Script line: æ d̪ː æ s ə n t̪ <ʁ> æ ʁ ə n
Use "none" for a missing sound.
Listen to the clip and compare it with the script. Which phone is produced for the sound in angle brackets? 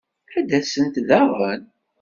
ð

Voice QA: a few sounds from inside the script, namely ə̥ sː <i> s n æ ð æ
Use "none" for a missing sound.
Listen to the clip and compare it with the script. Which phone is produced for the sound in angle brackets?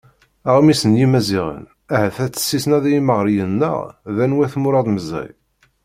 i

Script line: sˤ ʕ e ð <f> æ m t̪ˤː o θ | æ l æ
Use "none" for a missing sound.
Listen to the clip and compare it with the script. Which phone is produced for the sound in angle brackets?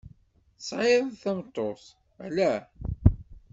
θ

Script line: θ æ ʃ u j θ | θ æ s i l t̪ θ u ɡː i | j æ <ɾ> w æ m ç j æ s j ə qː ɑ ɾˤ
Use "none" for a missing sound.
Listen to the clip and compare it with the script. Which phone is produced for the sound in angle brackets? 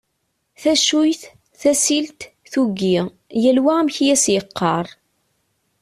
l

